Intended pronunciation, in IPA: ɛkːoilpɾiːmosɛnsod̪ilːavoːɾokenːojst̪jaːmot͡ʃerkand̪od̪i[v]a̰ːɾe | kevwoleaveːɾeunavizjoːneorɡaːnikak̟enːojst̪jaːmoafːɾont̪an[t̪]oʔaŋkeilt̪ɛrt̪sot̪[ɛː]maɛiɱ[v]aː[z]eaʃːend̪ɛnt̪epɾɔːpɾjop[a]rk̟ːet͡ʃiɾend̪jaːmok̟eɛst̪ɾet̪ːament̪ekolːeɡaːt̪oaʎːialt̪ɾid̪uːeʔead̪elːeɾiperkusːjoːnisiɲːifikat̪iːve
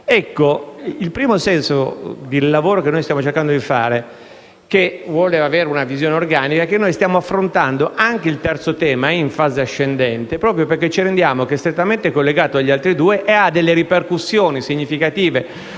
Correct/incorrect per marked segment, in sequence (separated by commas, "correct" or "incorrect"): incorrect, incorrect, correct, incorrect, correct, incorrect